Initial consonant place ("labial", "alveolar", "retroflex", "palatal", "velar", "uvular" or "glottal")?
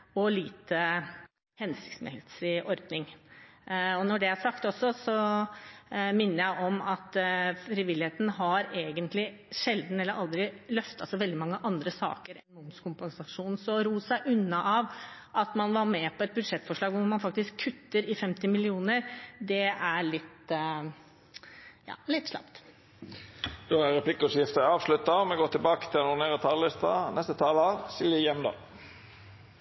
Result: alveolar